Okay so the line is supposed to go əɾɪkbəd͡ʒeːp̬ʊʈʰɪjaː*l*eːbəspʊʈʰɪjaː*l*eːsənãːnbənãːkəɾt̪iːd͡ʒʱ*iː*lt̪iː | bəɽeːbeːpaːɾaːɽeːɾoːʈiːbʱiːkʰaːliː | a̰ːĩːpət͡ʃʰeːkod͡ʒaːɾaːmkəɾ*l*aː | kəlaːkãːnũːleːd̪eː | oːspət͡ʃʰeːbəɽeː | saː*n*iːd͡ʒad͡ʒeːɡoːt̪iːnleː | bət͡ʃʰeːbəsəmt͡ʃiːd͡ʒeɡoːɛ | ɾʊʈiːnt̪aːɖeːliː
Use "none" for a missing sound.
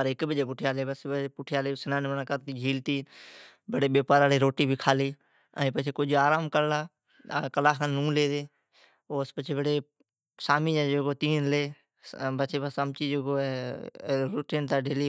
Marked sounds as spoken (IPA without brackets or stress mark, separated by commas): l, l, iː, l, m